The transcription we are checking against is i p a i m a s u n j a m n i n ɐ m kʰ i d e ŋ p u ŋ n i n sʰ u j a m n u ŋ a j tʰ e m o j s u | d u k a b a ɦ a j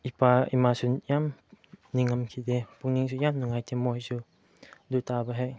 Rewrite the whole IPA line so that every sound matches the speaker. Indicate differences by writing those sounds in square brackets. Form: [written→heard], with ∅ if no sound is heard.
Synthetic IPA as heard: i p a i m a s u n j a m n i [n→ŋ] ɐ m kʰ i d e [ŋ→∅] p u ŋ n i [n→ŋ] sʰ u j a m n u ŋ a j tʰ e m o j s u | d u [k→t] a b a ɦ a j